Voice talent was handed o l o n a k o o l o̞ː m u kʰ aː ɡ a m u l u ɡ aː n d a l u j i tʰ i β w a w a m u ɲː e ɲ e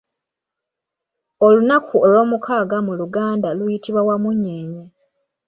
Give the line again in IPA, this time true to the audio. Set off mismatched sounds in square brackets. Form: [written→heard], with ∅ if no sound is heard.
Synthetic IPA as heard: o l [o→u] n a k [o→u] o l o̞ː m u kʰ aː ɡ a m u l u ɡ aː n d a l u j i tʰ i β w a w a m u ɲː e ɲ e